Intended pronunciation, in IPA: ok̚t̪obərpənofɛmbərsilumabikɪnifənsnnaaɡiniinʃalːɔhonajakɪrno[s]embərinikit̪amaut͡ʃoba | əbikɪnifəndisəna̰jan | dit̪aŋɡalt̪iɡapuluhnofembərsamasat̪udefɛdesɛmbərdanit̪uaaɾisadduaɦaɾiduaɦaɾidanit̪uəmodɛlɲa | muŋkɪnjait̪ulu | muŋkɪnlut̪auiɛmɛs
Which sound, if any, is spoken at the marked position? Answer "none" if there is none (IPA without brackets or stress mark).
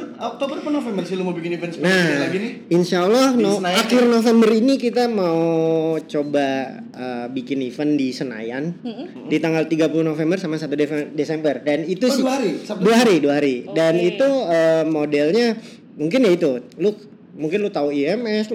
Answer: f